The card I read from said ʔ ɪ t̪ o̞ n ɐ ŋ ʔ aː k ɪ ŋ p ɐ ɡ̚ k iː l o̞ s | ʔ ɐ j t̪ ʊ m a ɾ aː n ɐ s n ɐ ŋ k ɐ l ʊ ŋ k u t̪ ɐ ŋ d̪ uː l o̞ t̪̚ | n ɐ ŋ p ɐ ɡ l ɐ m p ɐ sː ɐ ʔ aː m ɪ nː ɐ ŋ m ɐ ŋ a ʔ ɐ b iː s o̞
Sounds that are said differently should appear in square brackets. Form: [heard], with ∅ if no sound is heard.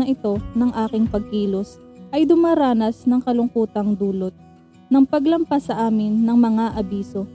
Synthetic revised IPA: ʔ ɪ t̪ o̞ n ɐ ŋ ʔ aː k ɪ ŋ p ɐ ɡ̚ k iː l o̞ s | ʔ ɐ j [d̪] ʊ m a ɾ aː n ɐ s n ɐ ŋ k ɐ l ʊ ŋ k [uː] t̪ ɐ ŋ d̪ uː l o̞ t̪̚ | n ɐ ŋ p ɐ ɡ l ɐ m p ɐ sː ɐ ʔ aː m ɪ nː ɐ ŋ m ɐ ŋ a ʔ ɐ b iː s o̞